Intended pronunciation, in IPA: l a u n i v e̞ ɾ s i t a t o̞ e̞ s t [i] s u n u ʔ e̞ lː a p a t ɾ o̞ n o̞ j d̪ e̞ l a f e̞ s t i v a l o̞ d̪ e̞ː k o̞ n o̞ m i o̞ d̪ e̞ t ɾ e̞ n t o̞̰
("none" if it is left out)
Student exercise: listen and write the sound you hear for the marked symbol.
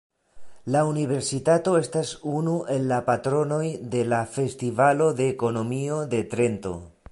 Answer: a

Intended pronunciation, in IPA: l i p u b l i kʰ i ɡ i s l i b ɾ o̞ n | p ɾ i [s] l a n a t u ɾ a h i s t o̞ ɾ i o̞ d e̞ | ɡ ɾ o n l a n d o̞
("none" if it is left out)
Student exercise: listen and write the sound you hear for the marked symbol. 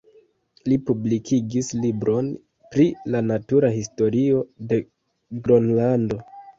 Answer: none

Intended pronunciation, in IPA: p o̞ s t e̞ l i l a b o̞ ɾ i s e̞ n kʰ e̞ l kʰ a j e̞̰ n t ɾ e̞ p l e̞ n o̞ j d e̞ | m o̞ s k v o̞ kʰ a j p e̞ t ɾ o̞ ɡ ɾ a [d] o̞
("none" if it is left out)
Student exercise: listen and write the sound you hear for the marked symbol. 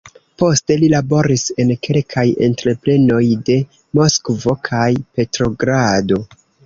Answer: d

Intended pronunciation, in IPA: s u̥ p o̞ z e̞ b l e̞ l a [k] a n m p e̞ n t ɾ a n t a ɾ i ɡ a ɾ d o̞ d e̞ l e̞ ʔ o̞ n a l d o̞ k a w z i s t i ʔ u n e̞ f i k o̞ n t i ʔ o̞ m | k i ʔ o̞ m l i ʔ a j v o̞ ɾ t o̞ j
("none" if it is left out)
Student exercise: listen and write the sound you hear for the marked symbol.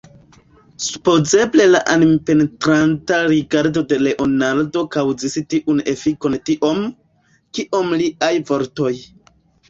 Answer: ʔ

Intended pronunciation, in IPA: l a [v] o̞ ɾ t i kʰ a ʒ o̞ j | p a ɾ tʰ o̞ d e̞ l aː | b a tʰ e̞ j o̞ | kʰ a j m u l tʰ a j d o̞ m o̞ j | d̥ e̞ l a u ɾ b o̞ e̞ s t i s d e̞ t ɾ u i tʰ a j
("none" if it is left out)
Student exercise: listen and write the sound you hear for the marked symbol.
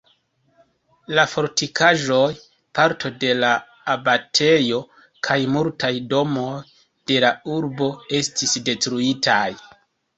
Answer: f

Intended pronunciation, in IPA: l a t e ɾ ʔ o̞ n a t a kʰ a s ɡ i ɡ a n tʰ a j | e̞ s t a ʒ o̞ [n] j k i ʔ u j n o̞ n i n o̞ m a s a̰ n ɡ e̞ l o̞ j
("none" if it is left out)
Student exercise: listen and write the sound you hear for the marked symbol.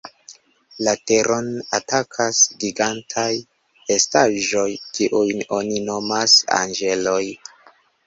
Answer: none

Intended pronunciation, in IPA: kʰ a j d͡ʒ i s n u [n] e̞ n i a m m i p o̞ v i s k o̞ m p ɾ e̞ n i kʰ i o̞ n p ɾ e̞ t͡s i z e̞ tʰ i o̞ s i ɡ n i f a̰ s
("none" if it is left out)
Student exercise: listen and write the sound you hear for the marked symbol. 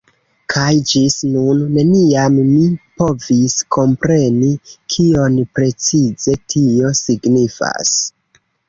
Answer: nː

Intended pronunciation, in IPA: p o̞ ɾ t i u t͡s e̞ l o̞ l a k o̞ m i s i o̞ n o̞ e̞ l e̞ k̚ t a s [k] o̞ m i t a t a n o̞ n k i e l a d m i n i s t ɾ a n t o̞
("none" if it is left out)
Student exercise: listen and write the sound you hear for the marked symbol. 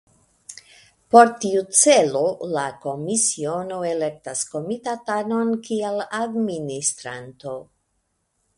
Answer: k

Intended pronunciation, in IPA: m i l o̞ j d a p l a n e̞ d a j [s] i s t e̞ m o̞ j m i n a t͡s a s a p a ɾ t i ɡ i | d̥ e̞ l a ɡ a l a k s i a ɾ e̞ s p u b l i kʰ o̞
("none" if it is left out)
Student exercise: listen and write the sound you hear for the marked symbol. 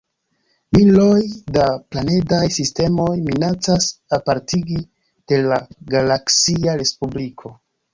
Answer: s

